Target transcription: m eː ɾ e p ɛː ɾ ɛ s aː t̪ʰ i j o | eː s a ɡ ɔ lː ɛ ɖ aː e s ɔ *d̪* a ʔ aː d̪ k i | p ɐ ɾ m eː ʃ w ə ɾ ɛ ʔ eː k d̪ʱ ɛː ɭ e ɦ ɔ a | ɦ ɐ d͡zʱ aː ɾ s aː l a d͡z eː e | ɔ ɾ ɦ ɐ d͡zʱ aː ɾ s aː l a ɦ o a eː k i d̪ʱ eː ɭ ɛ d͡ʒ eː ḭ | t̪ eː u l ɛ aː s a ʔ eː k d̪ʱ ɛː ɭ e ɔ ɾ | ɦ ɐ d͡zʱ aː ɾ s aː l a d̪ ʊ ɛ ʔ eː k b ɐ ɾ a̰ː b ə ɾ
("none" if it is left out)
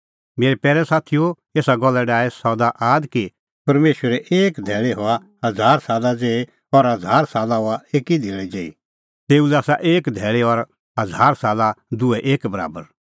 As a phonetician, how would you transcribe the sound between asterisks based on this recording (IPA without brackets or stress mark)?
d̪